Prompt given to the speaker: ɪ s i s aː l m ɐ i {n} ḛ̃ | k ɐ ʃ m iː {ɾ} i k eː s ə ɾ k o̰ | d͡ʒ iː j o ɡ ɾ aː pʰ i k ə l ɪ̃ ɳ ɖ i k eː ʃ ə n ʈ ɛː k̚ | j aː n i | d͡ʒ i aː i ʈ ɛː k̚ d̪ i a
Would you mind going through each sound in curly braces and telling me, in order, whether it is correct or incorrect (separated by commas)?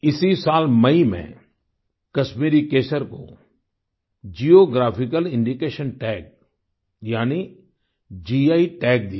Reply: incorrect, correct